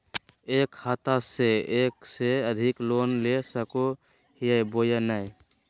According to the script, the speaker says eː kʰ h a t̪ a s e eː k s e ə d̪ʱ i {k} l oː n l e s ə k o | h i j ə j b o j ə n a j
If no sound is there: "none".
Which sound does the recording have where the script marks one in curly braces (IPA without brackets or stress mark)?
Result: k